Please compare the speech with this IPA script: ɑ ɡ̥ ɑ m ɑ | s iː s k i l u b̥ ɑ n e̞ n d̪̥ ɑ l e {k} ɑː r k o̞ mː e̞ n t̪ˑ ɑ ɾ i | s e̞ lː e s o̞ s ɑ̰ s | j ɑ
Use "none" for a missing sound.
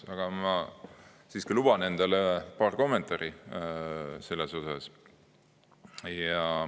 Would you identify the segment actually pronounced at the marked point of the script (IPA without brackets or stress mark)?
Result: p